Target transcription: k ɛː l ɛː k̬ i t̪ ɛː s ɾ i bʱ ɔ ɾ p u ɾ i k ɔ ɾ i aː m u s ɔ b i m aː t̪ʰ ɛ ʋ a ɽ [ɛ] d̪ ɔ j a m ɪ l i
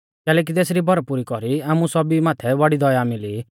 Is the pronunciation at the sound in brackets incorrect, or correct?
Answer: incorrect